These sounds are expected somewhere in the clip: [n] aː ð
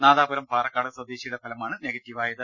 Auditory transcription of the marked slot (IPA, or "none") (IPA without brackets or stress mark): n